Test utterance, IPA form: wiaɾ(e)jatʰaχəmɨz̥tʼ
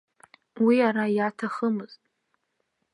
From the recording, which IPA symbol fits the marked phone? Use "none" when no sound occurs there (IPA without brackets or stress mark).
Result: a